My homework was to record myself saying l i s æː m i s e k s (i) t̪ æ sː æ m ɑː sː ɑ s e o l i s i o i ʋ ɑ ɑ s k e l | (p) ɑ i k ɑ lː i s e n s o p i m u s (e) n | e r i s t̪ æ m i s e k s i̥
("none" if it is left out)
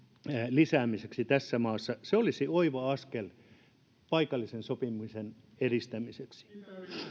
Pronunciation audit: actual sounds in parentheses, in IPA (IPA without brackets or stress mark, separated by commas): i, p, e